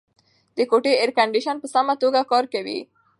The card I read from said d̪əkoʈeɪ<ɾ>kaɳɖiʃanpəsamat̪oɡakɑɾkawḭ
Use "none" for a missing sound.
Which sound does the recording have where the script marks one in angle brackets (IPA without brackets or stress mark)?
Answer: ɾ